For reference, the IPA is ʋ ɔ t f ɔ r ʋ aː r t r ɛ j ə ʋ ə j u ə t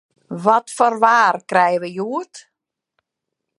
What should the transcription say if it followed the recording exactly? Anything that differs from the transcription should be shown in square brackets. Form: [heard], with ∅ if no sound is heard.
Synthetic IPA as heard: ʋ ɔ t f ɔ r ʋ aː r [k] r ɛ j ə ʋ ə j u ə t